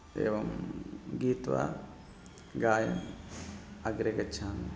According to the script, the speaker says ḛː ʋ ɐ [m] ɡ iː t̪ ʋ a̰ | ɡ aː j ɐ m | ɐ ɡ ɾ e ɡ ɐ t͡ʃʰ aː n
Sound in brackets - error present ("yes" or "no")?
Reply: no